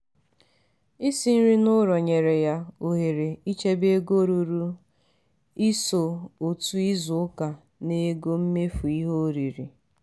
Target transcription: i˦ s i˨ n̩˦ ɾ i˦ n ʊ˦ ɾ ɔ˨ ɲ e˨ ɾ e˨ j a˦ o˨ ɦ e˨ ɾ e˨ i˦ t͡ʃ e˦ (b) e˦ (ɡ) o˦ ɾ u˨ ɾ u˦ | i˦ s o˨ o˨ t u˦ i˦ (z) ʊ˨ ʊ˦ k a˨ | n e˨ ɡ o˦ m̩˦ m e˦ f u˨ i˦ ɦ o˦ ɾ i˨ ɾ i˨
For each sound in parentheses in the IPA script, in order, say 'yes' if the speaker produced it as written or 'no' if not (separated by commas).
yes, yes, yes